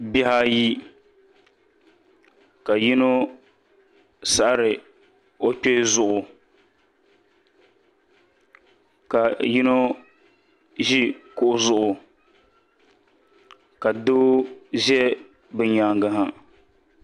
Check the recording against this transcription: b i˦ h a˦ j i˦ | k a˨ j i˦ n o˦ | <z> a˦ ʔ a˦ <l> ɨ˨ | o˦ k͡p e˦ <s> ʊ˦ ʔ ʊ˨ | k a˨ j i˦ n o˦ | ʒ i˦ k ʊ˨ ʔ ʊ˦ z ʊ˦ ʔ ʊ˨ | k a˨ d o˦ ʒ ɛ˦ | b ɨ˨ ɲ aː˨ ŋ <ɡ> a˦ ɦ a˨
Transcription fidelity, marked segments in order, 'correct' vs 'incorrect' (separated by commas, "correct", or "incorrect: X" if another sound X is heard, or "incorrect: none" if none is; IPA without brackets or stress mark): incorrect: s, incorrect: ɾ, incorrect: z, correct